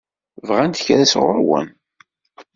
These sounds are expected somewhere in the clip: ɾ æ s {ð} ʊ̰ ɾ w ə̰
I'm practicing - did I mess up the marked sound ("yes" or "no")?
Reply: yes